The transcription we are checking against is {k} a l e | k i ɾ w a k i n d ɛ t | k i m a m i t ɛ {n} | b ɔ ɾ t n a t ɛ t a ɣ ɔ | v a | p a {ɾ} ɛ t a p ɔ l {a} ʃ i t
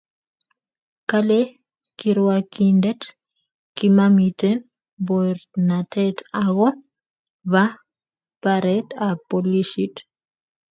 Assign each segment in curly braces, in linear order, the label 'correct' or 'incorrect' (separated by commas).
correct, correct, correct, incorrect